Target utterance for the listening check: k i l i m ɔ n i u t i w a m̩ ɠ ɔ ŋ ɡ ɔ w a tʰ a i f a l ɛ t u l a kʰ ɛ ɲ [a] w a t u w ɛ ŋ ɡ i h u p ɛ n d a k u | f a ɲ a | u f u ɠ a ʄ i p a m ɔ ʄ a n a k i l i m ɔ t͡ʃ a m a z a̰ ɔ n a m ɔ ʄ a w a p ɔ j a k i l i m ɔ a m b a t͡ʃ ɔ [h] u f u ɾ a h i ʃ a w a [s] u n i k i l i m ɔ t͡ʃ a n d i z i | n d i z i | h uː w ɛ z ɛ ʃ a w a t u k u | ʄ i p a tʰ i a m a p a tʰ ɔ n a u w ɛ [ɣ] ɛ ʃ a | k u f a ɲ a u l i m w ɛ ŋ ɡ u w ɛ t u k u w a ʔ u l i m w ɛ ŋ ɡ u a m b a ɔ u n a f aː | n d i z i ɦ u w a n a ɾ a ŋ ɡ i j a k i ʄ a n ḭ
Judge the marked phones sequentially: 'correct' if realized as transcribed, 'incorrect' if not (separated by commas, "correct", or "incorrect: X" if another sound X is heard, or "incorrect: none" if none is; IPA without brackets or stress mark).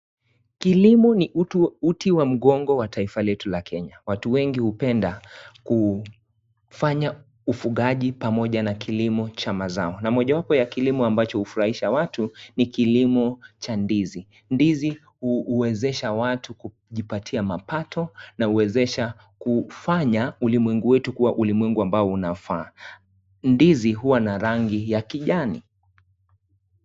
correct, correct, incorrect: t, incorrect: z